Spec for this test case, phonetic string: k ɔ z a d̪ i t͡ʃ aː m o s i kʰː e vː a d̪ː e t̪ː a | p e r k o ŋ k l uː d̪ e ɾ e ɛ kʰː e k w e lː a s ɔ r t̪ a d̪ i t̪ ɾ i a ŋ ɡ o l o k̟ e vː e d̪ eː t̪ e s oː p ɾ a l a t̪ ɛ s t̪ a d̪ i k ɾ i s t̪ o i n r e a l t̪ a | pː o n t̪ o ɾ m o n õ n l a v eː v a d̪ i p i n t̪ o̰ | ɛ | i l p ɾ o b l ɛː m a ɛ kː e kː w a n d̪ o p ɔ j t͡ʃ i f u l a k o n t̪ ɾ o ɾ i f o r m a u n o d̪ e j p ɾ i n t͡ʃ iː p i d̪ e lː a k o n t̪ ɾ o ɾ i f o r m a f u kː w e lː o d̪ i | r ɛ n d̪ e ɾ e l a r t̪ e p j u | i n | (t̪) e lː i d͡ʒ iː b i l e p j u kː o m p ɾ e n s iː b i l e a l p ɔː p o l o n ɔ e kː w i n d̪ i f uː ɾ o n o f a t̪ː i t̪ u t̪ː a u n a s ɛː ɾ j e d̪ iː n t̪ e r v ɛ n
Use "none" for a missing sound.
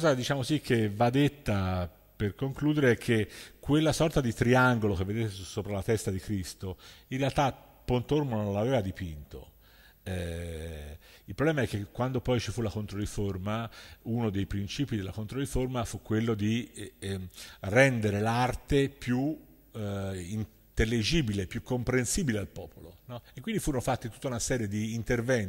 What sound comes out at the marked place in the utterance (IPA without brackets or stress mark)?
t̪